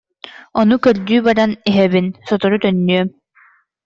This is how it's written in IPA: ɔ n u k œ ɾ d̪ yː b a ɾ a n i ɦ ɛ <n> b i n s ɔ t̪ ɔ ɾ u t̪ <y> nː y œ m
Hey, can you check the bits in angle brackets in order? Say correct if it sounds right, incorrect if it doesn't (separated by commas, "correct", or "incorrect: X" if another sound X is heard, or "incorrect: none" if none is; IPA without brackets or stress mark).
incorrect: none, incorrect: œ